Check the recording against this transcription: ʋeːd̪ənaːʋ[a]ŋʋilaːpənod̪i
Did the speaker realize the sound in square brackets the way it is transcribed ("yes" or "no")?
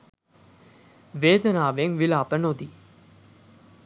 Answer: no